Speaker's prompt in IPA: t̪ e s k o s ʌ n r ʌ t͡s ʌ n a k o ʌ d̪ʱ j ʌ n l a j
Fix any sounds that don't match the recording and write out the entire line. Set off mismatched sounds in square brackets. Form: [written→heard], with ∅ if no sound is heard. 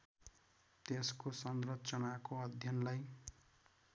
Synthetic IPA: t̪ e s k o s ʌ n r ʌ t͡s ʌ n a k o ʌ d̪ʱ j ʌ n l a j